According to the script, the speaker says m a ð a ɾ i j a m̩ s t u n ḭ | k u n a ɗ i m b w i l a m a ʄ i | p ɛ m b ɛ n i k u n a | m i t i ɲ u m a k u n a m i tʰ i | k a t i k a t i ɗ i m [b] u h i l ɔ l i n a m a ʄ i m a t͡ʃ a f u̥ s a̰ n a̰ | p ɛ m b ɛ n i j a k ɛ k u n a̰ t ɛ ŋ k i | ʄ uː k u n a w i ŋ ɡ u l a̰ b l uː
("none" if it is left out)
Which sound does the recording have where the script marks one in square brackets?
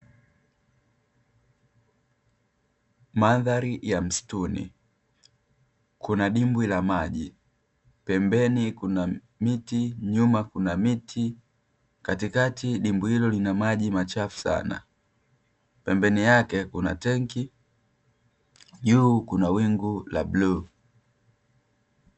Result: b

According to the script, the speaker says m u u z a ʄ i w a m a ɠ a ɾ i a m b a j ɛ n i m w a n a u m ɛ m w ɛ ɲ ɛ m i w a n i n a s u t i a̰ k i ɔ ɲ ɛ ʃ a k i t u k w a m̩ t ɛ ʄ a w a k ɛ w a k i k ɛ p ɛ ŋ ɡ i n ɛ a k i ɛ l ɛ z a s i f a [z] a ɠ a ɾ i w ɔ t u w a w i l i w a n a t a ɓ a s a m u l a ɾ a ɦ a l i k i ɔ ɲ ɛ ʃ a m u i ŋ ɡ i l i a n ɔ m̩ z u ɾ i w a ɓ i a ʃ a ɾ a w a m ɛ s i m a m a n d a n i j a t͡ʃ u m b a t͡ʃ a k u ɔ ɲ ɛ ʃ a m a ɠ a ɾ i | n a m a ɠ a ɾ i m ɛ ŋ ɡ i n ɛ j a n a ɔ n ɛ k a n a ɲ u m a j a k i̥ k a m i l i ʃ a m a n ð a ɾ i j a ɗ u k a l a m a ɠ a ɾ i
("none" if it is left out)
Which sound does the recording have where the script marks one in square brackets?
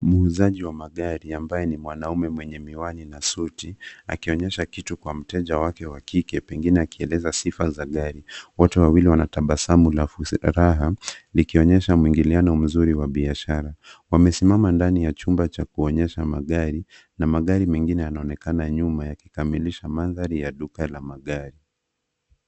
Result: z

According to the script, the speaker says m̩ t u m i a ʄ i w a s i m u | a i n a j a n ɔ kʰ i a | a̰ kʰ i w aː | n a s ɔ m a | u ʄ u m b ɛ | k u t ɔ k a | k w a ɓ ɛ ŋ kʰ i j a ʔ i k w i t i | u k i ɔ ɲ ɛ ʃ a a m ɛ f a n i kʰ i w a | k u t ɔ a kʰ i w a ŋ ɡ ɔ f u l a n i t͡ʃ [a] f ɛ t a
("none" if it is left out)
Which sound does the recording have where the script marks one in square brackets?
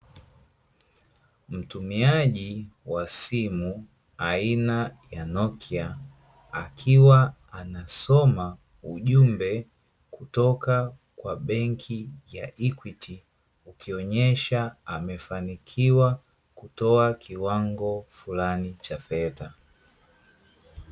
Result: a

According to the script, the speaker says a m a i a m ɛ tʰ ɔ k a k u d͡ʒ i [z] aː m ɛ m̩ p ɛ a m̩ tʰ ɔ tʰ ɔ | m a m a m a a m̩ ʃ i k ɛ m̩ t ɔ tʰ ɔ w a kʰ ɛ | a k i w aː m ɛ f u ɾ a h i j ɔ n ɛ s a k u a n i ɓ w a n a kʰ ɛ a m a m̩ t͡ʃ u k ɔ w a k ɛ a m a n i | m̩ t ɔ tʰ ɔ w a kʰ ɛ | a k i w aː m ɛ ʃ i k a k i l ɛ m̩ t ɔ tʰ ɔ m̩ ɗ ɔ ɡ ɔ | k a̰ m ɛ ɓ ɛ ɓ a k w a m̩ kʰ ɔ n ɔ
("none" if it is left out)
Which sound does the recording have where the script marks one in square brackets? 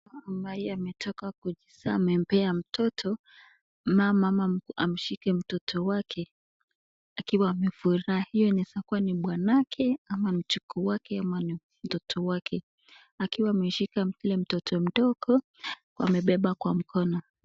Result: s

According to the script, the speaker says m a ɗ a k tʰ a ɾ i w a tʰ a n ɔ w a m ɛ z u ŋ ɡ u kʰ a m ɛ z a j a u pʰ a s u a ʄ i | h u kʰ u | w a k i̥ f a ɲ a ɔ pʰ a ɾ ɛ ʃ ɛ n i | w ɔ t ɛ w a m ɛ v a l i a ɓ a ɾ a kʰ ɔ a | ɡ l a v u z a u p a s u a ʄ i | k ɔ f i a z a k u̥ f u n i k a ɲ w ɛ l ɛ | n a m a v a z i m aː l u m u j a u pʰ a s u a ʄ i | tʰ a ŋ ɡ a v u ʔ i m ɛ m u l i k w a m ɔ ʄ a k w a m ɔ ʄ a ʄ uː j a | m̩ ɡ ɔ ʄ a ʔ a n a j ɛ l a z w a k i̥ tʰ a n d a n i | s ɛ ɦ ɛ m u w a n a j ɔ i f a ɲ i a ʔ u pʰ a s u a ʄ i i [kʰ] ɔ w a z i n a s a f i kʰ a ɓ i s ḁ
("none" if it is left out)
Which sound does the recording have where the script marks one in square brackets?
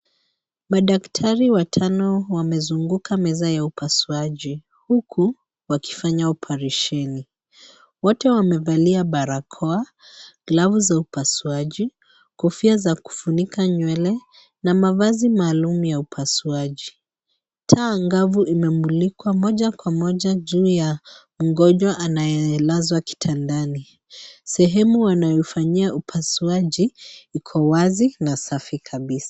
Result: kʰ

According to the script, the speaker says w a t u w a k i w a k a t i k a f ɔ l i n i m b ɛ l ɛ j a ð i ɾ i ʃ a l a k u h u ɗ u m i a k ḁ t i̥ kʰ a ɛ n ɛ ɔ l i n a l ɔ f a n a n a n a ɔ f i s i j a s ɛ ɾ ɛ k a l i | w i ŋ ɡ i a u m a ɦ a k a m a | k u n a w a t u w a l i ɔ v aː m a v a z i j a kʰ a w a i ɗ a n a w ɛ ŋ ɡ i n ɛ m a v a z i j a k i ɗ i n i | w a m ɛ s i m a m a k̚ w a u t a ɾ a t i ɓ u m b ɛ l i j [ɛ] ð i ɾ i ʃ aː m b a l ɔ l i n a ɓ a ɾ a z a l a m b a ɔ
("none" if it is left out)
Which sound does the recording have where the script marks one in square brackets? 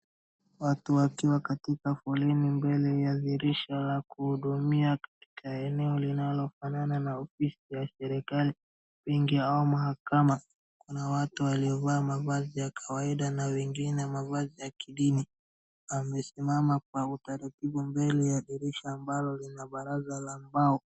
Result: a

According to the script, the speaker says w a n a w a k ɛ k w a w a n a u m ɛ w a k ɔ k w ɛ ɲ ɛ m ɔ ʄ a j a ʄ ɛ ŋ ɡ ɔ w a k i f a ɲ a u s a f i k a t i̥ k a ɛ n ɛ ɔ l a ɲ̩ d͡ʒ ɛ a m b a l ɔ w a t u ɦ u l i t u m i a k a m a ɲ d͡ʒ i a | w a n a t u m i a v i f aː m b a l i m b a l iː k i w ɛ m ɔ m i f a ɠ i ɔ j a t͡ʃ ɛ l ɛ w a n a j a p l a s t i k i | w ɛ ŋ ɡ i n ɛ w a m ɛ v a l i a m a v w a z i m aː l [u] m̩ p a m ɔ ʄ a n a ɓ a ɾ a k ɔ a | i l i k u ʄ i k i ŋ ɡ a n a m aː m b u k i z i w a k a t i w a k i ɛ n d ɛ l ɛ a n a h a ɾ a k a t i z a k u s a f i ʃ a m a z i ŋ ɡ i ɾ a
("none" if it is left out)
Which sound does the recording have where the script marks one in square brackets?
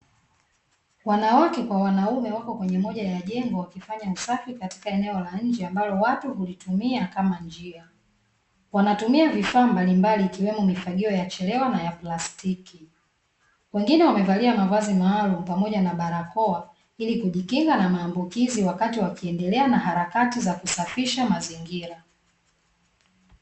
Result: u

